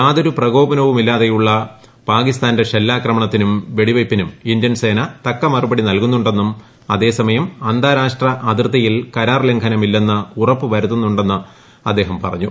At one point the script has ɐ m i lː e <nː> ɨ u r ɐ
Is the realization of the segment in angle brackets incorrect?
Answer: no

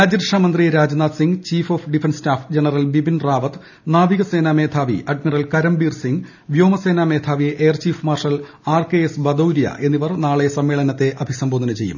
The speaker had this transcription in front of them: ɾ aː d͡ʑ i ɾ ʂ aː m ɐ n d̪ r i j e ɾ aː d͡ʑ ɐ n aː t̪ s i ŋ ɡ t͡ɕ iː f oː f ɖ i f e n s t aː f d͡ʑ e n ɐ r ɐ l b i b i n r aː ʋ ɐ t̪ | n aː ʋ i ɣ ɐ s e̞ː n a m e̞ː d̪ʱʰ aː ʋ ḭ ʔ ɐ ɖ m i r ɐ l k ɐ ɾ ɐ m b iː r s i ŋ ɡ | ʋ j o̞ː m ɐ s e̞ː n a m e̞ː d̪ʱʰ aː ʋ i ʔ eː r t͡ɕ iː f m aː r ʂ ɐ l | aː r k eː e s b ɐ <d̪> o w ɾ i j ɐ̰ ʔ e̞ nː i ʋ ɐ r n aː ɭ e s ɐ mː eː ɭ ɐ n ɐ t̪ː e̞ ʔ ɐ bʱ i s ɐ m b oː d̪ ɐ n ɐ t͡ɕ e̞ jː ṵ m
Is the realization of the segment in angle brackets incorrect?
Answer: no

